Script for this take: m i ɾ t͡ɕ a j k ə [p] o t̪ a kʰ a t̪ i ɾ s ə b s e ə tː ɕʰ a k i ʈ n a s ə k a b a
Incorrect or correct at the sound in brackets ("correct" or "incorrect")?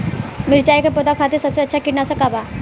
correct